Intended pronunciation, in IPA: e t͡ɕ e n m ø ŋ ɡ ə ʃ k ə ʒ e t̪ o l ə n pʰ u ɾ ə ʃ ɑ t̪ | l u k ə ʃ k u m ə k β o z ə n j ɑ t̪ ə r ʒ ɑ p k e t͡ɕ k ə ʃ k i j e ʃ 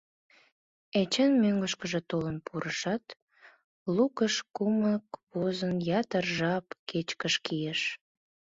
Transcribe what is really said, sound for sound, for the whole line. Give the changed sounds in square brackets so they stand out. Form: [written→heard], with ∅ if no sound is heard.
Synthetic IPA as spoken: e t͡ɕ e n m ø ŋ ɡ ə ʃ k ə ʒ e t̪ o l ə n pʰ u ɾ ə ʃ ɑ t̪ | l u k ə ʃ k u m ə k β o z ə n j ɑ t̪ ə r ʒ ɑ p k e t͡ɕ k ə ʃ k i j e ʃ